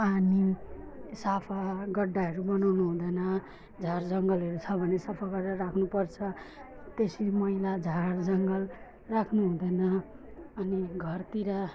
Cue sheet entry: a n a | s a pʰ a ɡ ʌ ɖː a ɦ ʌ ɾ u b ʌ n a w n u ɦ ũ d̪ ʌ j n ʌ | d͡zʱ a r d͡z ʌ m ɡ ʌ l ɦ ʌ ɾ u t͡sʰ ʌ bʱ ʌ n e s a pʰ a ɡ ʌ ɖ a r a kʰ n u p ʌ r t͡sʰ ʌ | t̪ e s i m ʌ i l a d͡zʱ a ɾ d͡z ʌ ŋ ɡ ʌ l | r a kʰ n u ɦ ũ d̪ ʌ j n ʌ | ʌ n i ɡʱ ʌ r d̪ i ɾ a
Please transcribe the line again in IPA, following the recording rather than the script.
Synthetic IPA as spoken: a n i | s a pʰ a ɡ ʌ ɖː a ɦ ʌ ɾ u b ʌ n a w n u ɦ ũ d̪ ʌ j n ʌ | d͡zʱ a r d͡z ʌ ŋ ɡ ʌ l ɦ ʌ ɾ u t͡sʰ ʌ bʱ ʌ n e s a pʰ a ɡ ʌ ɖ a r a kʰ n u p ʌ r t͡sʰ ʌ | t̪ e s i m ʌ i l a d͡zʱ a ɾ d͡z ʌ ŋ ɡ ʌ l | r a kʰ n u ɦ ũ d̪ ʌ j n ʌ | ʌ n i ɡʱ ʌ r t̪ i ɾ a